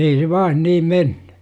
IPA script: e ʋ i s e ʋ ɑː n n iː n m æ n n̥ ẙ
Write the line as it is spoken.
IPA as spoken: e i s e ʋ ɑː n n iː m m e n n̥ ẙ